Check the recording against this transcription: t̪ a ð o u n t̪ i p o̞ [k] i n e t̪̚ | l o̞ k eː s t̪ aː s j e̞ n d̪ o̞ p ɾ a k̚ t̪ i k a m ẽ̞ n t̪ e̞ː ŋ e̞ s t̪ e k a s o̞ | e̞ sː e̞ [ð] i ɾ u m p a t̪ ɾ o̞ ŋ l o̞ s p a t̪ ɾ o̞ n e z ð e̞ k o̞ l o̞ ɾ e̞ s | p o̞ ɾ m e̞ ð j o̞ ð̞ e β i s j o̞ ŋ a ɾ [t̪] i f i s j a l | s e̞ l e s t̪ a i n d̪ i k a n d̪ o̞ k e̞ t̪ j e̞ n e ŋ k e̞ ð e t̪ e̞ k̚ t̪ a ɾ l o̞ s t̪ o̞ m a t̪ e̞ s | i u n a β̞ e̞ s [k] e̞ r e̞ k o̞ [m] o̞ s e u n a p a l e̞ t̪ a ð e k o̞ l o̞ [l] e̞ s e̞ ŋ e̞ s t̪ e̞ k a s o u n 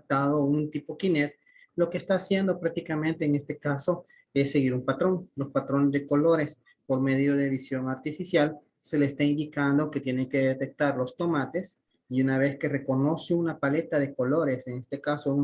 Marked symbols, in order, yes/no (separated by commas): yes, no, yes, yes, no, no